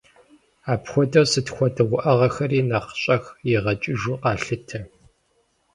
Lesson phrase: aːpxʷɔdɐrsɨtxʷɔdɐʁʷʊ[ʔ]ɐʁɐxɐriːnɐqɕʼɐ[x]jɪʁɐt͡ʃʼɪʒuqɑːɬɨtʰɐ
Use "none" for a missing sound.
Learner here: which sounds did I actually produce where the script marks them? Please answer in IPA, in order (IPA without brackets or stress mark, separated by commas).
ʔ, x